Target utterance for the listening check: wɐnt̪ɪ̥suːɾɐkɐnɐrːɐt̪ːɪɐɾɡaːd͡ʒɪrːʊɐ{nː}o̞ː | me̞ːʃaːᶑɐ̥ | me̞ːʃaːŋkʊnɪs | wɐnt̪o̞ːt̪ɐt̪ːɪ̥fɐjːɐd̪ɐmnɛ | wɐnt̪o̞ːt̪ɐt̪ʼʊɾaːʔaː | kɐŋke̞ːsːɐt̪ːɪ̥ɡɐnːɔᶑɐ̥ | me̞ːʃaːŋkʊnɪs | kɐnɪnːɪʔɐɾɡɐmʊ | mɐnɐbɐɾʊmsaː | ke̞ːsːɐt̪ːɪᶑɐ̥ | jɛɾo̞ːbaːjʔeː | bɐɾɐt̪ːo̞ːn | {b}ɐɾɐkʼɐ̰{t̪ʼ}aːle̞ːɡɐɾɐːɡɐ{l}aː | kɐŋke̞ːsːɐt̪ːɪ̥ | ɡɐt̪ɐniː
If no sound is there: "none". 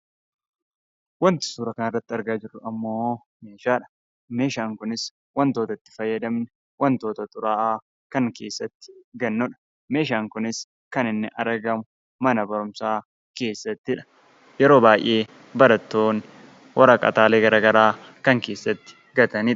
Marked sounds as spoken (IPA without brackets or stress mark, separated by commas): mː, w, t̪, ɾ